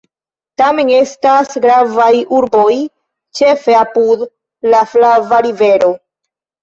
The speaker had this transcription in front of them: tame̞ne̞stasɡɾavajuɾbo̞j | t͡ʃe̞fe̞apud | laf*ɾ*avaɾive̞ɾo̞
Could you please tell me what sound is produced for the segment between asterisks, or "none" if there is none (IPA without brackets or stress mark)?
l